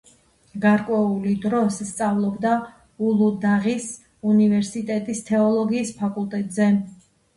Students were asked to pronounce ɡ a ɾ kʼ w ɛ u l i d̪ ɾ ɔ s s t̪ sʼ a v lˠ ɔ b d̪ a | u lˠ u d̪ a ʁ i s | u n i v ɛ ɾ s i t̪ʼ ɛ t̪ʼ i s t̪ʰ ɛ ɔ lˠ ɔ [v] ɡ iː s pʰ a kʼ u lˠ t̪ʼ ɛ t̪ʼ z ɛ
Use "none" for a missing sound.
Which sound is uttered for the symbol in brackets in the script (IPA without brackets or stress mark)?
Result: none